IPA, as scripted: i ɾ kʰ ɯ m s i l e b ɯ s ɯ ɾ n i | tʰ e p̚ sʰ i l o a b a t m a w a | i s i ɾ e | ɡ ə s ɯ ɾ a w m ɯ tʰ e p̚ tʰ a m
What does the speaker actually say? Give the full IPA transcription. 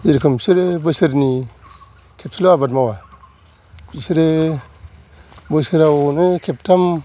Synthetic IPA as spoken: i ɾ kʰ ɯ m s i ɾ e b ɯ s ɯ ɾ n i | kʰ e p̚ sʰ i l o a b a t m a w a | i s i ɾ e | b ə s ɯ ɾ a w n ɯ kʰ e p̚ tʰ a m